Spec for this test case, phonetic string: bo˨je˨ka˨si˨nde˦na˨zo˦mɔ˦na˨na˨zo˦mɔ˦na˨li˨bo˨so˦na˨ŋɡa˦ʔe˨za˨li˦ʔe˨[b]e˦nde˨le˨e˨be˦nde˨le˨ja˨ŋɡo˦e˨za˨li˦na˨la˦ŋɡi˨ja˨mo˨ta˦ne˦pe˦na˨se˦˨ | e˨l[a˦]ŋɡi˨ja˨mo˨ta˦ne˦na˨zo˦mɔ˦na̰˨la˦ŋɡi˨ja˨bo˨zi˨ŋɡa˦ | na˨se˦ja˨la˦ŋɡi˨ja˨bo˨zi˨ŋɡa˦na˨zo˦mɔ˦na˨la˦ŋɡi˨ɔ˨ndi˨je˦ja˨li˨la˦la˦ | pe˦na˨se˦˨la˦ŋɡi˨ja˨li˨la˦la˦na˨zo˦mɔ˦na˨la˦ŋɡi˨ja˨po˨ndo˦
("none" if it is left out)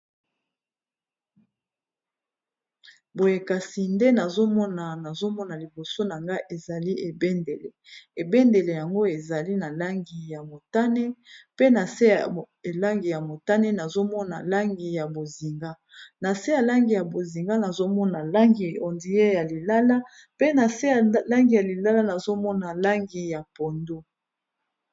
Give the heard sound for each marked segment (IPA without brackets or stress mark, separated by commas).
b, a˦